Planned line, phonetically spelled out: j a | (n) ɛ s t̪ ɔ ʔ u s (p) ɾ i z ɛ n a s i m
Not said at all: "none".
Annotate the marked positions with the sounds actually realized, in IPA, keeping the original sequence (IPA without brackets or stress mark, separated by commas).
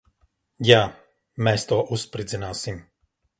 m, p